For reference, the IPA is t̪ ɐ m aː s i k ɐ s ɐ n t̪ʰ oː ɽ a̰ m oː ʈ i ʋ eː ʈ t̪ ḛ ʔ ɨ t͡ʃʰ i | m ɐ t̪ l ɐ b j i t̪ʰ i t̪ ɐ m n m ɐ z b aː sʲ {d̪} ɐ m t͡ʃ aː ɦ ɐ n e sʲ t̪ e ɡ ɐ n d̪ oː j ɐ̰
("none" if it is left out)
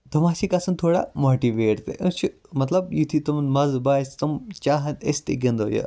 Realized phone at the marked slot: t̪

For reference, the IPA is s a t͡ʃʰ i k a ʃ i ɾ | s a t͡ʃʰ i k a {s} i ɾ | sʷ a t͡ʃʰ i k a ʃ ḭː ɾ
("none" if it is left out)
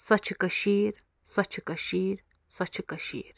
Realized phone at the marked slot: ʃ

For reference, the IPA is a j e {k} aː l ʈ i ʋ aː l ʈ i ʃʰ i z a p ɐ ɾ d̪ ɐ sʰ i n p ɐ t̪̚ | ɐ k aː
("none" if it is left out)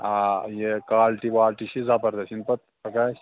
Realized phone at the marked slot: k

